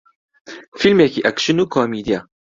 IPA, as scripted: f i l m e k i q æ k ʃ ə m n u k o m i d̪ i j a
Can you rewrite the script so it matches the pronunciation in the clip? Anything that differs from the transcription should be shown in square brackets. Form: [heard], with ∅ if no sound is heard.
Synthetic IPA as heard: f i l m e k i [ʔ] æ k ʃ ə [∅] n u k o m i d̪ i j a